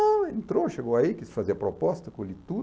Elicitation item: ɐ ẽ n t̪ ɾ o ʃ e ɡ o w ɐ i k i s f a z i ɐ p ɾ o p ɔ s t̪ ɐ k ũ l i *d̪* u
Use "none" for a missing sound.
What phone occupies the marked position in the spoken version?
t̪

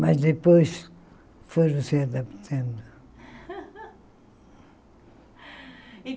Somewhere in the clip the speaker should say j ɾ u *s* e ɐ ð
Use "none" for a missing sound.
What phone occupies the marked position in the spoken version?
s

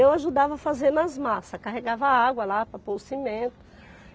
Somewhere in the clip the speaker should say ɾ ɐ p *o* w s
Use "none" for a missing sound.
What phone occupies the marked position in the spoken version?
o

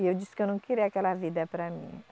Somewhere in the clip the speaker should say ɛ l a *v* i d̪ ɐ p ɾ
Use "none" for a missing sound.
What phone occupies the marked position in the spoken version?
v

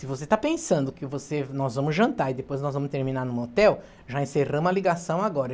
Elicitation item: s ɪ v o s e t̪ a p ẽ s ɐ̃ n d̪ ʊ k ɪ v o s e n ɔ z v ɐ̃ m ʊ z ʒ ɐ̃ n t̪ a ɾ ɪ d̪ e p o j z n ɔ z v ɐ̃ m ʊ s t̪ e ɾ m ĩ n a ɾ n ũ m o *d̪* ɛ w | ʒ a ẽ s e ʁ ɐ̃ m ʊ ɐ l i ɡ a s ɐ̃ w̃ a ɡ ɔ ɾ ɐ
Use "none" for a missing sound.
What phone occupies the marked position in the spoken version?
t̪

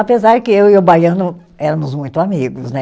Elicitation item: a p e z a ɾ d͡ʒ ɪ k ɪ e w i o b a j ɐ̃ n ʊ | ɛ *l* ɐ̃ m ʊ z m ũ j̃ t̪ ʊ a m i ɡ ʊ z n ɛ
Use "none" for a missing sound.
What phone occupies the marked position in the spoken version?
ɾ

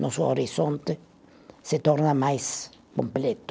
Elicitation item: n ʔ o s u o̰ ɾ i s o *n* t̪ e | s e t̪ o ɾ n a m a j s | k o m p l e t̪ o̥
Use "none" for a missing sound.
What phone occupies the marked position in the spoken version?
n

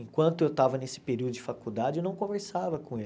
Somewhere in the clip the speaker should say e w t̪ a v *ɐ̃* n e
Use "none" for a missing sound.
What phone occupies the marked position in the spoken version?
ɐ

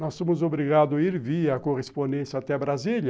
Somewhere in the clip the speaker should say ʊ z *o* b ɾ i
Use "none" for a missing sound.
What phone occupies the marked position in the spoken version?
o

